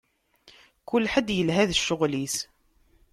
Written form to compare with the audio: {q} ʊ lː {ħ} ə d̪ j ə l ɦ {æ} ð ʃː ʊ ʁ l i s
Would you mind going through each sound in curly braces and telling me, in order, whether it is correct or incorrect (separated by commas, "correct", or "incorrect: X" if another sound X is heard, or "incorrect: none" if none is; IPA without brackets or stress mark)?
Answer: incorrect: k, correct, correct